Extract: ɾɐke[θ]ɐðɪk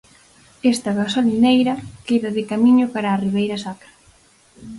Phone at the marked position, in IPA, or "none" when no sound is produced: ð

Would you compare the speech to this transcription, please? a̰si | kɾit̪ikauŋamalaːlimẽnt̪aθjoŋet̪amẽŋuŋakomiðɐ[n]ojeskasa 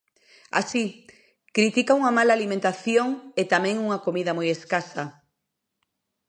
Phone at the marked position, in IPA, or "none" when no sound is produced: m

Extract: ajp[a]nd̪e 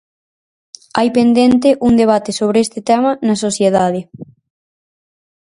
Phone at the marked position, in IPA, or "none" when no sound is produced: e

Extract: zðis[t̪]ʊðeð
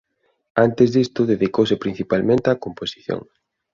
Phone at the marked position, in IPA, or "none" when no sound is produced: t̪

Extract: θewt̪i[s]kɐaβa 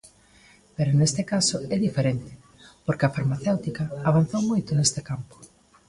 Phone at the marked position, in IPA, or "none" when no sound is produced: none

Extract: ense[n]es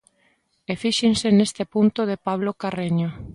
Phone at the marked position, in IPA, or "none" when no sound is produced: n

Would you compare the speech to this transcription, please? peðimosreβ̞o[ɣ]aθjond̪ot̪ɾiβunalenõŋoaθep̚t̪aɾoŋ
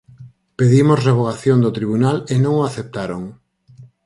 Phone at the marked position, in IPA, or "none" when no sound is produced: ɣ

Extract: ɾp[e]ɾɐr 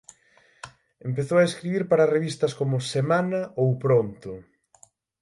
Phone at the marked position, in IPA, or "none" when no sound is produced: a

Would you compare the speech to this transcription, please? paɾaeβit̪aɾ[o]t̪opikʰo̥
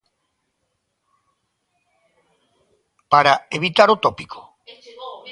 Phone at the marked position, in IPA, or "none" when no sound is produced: o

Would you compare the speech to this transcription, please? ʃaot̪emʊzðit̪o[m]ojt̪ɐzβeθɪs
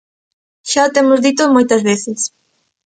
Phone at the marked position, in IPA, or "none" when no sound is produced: m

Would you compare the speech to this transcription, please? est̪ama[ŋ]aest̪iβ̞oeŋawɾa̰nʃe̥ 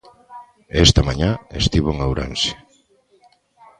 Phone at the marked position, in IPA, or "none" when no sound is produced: ɲ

